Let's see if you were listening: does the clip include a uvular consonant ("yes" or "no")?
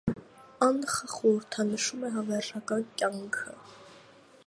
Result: yes